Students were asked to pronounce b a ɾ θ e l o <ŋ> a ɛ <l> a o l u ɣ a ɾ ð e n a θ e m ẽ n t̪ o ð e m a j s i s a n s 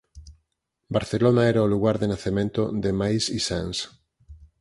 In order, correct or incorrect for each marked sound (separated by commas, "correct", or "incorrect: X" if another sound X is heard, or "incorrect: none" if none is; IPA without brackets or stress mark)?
incorrect: n, incorrect: ɾ